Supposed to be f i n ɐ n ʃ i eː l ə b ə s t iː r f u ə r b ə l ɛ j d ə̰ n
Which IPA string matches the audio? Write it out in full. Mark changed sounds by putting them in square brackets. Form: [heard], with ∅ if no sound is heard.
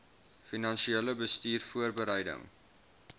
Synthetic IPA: f i n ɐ n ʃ i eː l ə b ə s t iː r f u ə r b ə [ɾ] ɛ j d ə̰ [ŋ]